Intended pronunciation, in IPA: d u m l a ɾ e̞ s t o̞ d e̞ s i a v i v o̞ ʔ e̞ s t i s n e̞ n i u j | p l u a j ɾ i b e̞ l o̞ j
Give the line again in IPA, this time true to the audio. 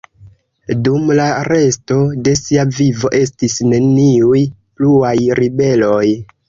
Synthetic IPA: d u m l a ɾ e̞ s t o̞ d e̞ s i a v i v o̞ ʔ e̞ s t i s n e̞ n i u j | p l u a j ɾ i b e̞ l o̞ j